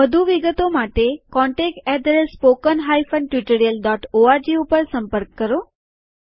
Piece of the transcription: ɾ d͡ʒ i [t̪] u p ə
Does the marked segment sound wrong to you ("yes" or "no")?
yes